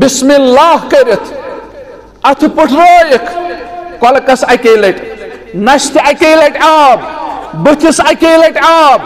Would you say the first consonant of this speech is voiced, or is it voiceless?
voiced